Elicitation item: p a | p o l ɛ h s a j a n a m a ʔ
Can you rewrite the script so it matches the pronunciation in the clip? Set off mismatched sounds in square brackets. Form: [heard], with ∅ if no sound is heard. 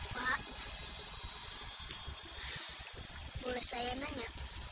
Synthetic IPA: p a | [b] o l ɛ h s a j a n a [ɲ] a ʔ